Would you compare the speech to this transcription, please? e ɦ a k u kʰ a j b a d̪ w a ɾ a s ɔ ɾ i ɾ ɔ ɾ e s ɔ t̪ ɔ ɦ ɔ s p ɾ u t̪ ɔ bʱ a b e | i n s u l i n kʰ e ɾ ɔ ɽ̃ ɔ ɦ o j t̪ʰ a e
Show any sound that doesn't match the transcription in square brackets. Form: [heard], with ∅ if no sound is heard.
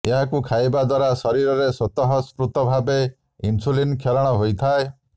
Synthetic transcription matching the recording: e ɦ a k u kʰ a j b a d̪ w a ɾ a s ɔ ɾ i ɾ ɔ ɾ e s ɔ t̪ ɔ ɦ ɔ s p ɾ u t̪ ɔ bʱ a b e | i n s u l i n kʰ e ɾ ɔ ɽ̃ ɔ ɦ o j t̪ʰ a e